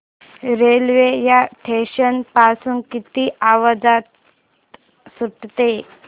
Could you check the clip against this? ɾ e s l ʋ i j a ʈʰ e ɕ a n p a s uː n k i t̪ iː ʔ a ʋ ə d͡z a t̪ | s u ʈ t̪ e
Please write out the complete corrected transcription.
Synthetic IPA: ɾ e l ʋ e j a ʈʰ e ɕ ə n p a s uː n k i t̪ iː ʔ a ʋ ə d͡z a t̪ | s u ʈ t̪ e